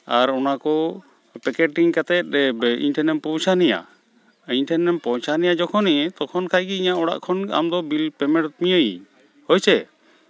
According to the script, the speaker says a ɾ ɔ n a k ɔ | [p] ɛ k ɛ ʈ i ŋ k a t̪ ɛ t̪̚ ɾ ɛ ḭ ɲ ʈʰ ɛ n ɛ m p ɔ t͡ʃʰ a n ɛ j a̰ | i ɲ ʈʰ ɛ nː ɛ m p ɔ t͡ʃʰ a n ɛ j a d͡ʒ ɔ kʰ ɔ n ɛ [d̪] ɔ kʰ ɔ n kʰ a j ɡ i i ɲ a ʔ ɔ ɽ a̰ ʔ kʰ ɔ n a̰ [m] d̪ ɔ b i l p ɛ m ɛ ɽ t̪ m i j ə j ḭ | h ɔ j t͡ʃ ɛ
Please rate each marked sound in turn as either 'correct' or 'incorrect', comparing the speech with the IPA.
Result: correct, incorrect: t̪, correct

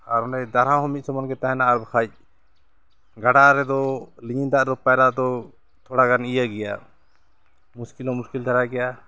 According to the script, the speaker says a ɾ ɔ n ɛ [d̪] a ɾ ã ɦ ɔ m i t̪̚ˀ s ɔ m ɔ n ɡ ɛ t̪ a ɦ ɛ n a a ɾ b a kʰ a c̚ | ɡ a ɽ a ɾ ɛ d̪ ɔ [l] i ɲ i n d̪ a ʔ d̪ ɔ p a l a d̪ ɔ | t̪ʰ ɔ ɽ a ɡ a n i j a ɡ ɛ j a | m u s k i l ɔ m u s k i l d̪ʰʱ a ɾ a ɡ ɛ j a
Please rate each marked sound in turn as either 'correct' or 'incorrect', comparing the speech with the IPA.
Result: correct, correct

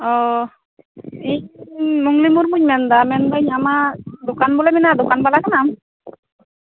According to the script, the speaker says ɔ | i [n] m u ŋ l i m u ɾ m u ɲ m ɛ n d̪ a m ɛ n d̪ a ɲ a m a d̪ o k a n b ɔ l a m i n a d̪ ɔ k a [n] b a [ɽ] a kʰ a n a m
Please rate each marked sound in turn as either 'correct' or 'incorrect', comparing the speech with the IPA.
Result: incorrect: ɲ, correct, incorrect: l

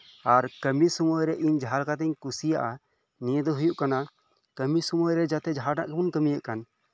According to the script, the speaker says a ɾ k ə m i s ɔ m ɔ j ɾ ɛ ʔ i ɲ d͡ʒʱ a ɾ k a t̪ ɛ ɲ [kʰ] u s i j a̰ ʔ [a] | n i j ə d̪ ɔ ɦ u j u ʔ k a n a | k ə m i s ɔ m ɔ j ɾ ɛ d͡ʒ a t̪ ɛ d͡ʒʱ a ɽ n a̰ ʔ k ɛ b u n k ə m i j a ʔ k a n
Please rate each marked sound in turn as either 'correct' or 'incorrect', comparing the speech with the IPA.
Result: incorrect: k, correct

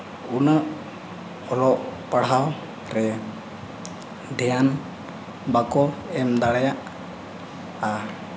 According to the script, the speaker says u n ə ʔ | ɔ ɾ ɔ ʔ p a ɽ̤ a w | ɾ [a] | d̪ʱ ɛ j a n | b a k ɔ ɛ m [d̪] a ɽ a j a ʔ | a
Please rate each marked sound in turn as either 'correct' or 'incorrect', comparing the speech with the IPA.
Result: incorrect: ɛ, correct

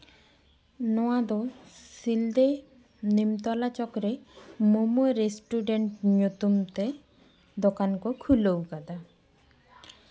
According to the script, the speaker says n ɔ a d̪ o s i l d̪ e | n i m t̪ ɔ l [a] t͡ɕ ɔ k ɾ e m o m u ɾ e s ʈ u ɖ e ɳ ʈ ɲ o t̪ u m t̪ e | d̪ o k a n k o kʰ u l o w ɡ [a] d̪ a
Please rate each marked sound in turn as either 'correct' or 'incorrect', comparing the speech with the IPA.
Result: correct, correct

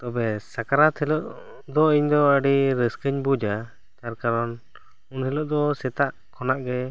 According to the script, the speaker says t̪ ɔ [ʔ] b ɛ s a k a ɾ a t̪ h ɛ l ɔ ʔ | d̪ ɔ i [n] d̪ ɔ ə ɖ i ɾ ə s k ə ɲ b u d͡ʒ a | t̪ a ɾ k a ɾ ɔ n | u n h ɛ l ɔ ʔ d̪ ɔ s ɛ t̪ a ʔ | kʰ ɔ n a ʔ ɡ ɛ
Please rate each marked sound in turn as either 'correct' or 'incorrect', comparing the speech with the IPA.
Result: incorrect: none, incorrect: ɲ

